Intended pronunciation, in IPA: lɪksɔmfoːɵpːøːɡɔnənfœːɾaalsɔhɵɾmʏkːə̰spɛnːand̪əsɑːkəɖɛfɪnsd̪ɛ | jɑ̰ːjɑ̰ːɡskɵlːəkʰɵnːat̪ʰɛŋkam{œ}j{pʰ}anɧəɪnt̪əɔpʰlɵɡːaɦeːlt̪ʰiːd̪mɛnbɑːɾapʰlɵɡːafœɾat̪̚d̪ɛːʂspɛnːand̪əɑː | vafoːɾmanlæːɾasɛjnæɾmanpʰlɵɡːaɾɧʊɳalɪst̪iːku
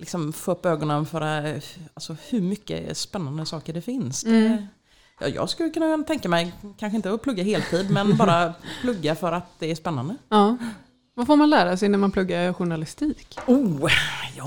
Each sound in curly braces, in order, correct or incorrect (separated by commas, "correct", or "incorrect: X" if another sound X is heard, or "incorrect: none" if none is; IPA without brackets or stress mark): incorrect: ɛ, incorrect: kʰ